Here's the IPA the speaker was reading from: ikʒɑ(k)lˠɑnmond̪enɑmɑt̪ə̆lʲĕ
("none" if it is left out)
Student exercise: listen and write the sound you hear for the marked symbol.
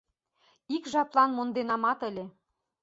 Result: p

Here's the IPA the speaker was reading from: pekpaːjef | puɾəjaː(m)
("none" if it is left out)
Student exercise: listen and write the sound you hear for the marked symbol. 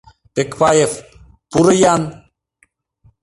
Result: n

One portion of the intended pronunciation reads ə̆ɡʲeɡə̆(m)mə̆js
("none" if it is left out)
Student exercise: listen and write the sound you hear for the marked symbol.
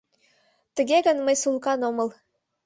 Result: n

